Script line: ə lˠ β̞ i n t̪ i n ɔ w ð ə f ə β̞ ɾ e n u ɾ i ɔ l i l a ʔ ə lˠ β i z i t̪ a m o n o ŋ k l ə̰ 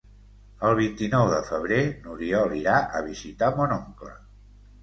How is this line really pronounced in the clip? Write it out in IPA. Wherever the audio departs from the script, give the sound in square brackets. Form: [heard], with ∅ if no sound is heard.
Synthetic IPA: ə lˠ β̞ i n t̪ i n ɔ w ð ə f ə β̞ ɾ e n u ɾ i ɔ l i [ɾ] a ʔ ə [∅] β i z i t̪ a m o n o ŋ k l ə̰